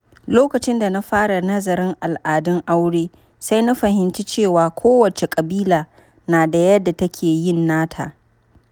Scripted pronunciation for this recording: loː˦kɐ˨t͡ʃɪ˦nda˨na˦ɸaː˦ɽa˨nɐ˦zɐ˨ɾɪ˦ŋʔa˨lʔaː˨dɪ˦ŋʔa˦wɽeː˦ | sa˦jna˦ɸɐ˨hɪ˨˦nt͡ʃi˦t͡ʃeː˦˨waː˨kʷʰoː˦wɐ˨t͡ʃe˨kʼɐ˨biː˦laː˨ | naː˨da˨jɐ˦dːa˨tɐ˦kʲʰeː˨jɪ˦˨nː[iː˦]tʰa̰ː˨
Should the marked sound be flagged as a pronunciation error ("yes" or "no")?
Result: yes